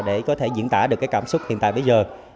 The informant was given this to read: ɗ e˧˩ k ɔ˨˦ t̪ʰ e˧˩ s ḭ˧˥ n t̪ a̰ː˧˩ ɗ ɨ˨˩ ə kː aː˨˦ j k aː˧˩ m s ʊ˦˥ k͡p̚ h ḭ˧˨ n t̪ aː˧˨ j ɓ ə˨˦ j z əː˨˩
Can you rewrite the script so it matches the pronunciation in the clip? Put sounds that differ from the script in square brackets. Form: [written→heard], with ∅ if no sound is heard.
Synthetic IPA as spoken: ɗ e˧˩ k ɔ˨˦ t̪ʰ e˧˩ [s→z] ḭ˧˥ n t̪ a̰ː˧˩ ɗ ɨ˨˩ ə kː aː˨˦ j k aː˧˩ m s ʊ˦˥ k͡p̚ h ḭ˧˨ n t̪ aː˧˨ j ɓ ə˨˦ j z əː˨˩